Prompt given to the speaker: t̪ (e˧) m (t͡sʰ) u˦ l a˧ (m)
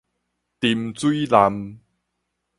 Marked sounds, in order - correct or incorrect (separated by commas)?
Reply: incorrect, incorrect, correct